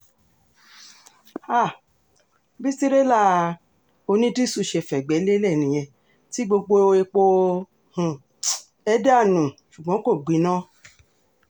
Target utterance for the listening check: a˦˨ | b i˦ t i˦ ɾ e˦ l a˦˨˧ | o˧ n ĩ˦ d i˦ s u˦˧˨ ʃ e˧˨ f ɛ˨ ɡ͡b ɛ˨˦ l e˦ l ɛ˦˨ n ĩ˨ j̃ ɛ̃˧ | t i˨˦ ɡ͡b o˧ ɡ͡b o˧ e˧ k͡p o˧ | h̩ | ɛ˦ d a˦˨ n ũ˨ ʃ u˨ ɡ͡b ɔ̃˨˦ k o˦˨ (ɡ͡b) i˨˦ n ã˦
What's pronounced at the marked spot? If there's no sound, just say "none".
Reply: ɡ͡b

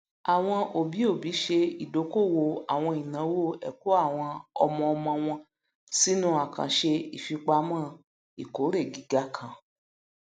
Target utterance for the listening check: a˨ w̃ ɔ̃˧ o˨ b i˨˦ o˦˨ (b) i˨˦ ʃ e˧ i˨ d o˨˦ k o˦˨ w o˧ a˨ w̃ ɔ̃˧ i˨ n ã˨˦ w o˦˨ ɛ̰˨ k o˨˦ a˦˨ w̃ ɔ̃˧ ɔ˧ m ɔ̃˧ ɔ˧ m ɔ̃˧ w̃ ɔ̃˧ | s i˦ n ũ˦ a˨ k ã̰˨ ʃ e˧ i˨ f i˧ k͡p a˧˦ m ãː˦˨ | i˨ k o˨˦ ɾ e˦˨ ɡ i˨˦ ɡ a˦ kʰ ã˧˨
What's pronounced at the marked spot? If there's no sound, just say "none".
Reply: b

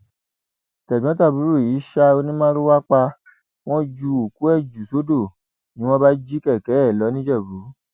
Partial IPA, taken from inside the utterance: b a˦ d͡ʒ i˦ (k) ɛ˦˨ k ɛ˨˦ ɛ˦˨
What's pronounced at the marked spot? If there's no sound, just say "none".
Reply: k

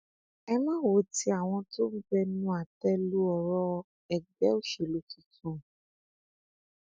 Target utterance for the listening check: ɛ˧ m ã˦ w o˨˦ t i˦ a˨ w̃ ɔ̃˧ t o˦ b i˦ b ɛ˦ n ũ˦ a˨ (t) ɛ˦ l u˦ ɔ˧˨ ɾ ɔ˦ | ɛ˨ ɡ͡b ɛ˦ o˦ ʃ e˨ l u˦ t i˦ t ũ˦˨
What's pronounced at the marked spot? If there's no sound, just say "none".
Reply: t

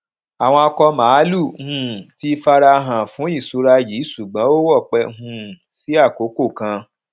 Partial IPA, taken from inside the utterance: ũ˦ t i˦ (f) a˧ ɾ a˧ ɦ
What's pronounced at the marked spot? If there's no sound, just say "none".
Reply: f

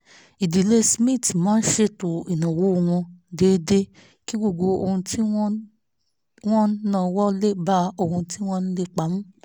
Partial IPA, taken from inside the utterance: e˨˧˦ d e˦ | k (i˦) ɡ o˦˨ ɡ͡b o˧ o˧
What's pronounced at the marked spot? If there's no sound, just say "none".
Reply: i˦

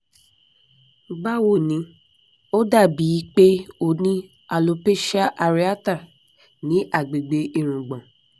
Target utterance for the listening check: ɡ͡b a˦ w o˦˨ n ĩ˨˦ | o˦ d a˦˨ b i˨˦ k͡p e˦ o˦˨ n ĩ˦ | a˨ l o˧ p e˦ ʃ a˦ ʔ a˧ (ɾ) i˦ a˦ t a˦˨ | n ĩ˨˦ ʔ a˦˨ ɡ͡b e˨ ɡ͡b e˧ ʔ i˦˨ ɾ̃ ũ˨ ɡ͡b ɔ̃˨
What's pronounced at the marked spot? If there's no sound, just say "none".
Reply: ɾ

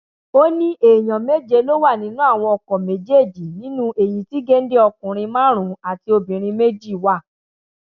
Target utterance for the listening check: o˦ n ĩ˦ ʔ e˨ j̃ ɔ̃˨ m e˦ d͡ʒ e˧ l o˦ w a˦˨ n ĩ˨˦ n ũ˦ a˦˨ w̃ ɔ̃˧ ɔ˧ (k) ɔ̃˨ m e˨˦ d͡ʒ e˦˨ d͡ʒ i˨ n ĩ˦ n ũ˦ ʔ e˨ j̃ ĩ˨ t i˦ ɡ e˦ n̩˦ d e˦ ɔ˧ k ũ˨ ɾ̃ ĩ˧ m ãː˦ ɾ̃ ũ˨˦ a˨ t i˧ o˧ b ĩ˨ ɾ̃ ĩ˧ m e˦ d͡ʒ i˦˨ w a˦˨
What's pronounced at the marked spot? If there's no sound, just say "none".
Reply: k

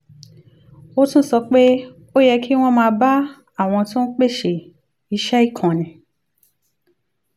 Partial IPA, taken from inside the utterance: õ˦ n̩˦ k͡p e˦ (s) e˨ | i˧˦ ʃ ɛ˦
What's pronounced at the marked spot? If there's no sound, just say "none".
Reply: ʃ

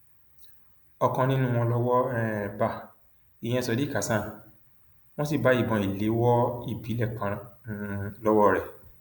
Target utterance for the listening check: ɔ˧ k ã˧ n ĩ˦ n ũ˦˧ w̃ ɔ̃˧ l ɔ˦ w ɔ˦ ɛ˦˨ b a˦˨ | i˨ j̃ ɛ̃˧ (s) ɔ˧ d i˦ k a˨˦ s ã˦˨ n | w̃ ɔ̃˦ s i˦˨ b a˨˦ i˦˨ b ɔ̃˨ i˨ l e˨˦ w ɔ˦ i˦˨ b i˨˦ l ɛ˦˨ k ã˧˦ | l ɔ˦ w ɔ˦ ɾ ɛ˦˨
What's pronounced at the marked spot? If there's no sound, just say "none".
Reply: s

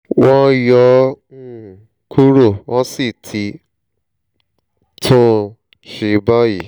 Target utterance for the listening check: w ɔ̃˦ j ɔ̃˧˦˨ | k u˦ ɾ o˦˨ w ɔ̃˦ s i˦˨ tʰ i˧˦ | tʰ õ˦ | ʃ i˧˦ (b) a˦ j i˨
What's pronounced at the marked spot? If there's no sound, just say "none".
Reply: b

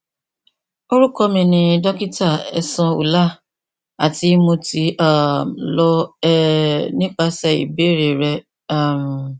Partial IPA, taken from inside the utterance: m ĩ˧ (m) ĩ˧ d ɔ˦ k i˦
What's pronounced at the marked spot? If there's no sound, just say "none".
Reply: n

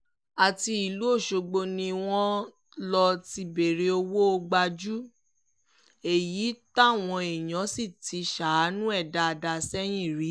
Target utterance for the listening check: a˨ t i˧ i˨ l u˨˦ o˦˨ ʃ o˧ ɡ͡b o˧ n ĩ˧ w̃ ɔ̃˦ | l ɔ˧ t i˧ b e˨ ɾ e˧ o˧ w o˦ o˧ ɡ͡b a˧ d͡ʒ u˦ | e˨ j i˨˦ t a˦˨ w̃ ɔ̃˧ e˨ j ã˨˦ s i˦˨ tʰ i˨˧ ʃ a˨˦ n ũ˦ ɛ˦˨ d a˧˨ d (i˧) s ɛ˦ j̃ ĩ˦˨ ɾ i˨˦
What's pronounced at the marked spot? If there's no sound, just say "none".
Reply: a˧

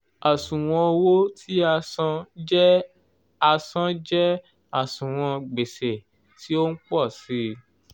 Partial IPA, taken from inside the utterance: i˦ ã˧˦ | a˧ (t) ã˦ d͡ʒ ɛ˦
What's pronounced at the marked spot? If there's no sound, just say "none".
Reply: s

